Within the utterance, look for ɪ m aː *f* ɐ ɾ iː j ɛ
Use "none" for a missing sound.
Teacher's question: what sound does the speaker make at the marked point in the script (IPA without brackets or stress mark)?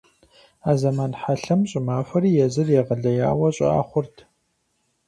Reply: f